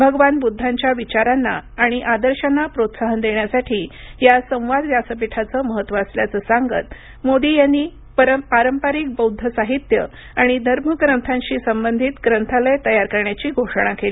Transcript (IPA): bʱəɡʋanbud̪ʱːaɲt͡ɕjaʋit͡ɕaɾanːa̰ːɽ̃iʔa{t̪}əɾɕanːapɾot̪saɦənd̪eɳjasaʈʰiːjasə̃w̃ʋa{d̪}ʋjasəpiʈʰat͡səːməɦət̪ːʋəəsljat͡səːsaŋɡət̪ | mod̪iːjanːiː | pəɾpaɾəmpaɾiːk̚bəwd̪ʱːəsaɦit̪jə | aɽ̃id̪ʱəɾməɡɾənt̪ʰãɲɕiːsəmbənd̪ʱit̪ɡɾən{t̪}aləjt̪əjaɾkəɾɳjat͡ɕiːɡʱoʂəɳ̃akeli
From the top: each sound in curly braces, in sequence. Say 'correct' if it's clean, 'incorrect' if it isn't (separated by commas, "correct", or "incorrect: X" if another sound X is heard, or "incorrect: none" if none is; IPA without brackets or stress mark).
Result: incorrect: d̪, correct, incorrect: t̪ʰ